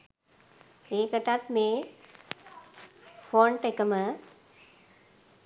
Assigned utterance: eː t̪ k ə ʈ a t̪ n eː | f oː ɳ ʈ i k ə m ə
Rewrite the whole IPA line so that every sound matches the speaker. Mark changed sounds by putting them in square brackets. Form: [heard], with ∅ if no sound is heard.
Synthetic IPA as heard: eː [∅] k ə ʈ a t̪ [m] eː | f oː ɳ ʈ [e] k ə m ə